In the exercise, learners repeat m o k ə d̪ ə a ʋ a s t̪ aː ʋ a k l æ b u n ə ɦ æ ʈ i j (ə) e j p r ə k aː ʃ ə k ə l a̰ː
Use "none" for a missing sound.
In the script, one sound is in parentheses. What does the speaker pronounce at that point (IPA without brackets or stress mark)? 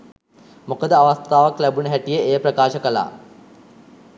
ə